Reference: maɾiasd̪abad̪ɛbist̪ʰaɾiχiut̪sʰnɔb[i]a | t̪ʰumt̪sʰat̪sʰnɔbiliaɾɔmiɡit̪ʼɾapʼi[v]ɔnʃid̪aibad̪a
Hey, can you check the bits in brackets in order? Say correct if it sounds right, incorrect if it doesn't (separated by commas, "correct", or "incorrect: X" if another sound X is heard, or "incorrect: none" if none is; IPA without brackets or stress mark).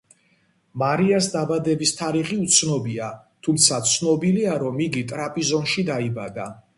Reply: correct, incorrect: z